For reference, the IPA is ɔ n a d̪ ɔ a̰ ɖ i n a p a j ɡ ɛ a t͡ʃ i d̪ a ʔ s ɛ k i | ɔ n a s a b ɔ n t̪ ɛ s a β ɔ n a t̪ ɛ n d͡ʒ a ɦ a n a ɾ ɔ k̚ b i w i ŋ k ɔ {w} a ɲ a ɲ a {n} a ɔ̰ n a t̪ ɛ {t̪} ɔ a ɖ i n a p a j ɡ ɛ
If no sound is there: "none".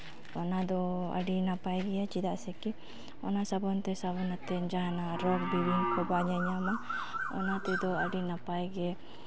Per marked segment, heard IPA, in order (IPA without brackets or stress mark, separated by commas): b, m, d̪